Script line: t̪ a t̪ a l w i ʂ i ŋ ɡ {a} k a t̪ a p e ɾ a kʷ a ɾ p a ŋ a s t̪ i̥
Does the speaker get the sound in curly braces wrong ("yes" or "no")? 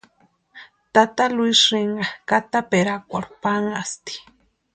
no